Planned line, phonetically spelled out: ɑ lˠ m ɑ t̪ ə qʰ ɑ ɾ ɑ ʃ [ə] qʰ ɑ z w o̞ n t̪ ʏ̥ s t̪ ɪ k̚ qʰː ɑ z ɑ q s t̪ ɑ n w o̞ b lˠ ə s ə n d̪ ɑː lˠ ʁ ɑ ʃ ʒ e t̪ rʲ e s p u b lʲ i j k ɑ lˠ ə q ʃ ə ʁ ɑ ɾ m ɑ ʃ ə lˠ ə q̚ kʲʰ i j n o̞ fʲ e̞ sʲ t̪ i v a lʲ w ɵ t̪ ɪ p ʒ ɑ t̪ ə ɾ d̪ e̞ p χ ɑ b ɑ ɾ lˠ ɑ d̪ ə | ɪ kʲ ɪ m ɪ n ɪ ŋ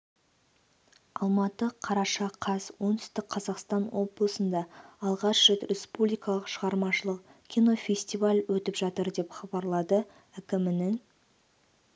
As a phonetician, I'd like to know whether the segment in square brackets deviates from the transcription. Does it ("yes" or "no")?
yes